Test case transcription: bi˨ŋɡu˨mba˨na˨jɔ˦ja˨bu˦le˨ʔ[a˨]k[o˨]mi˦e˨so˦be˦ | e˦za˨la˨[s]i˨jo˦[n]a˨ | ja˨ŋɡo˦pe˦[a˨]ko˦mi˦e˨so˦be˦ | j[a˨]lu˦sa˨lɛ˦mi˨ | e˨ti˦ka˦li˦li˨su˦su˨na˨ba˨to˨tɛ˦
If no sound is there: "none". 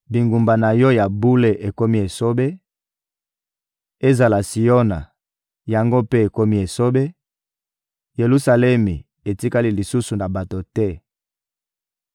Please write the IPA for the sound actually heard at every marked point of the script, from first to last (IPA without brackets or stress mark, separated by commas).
e˨, o˦, s, n, e˨, e˨